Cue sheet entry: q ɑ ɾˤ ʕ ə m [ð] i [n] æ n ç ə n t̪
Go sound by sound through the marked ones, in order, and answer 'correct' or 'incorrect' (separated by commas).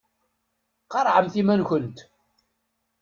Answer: incorrect, incorrect